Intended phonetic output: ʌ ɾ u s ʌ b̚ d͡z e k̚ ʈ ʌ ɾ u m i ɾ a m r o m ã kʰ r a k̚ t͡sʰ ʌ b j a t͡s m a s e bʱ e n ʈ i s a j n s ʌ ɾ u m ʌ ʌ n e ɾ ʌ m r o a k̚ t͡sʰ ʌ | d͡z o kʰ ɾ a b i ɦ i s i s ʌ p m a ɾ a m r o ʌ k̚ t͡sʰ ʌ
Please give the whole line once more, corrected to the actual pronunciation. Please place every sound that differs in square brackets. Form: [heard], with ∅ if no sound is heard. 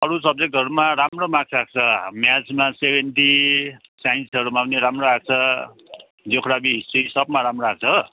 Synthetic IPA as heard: ʌ ɾ u s ʌ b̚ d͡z e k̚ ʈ ʌ ɾ u m [a] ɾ a m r o m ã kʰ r a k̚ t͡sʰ ʌ [m] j a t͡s m a s e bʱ e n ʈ i s a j n s ʌ ɾ u m [a] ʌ n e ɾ [a] m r o a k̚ t͡sʰ ʌ | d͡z o kʰ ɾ a b i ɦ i s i s ʌ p m a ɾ a m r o [a] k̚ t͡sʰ ʌ